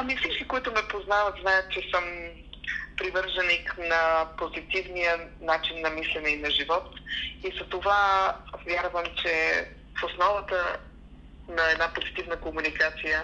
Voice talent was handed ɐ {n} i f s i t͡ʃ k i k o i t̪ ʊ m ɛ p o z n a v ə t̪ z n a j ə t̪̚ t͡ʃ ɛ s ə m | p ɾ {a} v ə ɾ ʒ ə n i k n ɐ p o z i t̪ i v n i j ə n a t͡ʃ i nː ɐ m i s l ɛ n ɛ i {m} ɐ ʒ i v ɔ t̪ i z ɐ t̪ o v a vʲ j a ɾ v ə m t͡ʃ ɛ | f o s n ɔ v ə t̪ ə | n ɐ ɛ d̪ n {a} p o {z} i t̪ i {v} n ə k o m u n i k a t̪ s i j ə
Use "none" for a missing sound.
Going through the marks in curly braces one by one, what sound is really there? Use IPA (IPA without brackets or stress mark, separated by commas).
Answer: m, i, n, a, z, v